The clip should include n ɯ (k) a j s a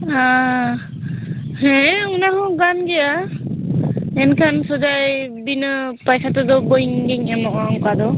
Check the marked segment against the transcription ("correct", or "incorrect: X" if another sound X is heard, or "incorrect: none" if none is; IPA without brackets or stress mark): incorrect: p